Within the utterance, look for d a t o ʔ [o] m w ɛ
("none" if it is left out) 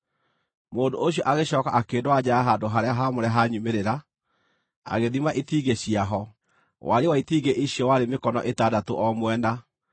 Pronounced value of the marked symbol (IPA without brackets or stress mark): ɔ